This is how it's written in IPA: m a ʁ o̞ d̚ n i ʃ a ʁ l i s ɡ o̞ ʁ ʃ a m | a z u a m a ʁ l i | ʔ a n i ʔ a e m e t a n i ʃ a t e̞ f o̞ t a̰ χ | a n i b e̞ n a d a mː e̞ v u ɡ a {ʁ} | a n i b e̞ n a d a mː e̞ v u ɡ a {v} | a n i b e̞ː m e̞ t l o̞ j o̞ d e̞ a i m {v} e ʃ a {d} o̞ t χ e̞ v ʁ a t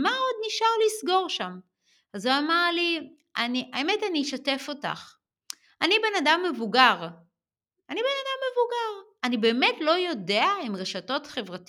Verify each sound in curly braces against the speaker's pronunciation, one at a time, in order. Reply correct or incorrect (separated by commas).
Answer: correct, incorrect, incorrect, incorrect